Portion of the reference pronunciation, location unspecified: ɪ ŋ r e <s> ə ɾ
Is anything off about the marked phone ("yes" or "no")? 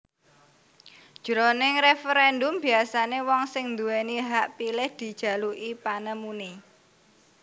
yes